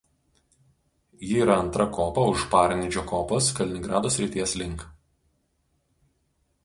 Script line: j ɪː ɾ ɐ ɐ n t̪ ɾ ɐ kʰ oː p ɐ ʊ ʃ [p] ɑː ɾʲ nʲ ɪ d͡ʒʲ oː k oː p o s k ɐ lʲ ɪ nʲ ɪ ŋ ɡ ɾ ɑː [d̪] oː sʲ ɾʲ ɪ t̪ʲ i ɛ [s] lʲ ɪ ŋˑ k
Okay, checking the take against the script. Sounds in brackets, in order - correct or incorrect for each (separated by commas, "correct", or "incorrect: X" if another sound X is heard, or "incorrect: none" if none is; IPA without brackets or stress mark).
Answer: correct, correct, correct